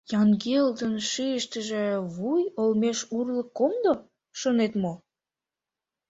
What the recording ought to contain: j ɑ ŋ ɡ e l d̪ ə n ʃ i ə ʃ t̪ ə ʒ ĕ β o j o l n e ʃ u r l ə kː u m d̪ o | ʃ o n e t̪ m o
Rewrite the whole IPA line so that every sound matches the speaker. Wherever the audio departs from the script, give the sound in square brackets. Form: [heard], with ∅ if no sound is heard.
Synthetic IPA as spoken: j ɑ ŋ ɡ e l d̪ ə n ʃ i ə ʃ t̪ ə ʒ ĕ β [u] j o l [m] e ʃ u r l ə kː [o] m d̪ o | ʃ o n e t̪ m o